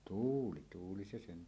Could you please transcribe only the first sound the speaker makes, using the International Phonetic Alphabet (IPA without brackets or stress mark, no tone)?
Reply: t